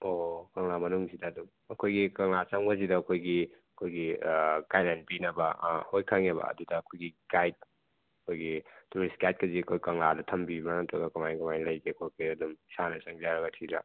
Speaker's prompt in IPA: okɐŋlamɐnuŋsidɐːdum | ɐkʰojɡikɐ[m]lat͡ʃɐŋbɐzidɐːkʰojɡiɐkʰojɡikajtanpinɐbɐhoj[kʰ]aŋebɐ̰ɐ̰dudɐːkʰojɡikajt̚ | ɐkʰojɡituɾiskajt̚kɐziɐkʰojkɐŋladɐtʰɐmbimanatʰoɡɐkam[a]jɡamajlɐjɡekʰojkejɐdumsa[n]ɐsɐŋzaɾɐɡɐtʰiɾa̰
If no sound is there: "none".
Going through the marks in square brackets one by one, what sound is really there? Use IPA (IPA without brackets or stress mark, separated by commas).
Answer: ŋ, kʰ, a, n